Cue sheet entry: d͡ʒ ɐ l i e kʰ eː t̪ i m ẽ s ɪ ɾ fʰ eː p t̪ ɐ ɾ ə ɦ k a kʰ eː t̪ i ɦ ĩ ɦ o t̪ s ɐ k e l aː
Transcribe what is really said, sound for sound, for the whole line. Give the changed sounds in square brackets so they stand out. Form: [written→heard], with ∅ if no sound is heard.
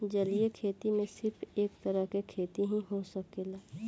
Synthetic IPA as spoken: d͡ʒ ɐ l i e kʰ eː t̪ i m ẽ s ɪ ɾ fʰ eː [p→k] t̪ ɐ ɾ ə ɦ k [a→e] kʰ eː t̪ i ɦ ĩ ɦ o [t̪→∅] s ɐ k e l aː